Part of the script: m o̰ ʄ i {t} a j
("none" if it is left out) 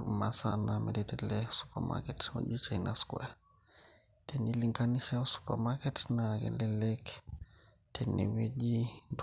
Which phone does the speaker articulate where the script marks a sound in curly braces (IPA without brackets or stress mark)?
t͡ʃ